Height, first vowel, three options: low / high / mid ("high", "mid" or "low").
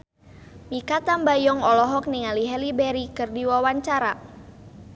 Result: high